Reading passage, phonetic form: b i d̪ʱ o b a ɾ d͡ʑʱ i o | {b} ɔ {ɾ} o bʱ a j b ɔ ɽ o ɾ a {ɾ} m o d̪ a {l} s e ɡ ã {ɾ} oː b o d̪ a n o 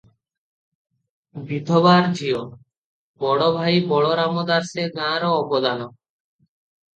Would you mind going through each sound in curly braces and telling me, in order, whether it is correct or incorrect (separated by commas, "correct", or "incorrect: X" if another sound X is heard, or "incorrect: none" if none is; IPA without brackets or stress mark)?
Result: correct, incorrect: ɽ, incorrect: none, incorrect: ɾ, correct